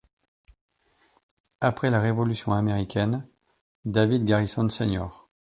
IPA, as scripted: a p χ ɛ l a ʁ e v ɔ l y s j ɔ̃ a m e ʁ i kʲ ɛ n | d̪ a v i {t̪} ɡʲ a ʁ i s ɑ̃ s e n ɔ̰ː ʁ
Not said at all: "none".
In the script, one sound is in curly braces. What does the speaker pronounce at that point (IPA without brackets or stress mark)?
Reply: d̪